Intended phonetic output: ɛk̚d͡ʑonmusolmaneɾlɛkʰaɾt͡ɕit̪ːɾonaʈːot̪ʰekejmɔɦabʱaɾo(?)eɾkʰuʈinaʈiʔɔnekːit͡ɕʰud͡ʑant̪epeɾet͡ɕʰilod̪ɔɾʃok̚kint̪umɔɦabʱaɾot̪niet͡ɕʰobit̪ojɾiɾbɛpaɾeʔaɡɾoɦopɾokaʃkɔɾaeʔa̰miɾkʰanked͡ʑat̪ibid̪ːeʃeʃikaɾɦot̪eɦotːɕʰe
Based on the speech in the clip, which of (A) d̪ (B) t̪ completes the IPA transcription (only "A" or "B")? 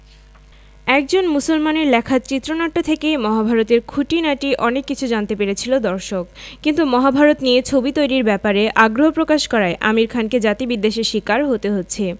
B